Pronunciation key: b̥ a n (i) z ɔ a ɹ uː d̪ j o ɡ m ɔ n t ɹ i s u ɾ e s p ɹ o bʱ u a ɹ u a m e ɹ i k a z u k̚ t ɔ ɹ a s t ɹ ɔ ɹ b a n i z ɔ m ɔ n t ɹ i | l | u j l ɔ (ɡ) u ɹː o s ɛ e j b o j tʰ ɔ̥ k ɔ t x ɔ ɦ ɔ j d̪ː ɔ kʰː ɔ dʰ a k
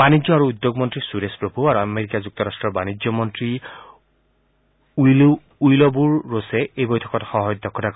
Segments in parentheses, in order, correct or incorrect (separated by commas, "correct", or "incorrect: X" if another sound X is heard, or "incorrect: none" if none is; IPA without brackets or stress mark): correct, incorrect: b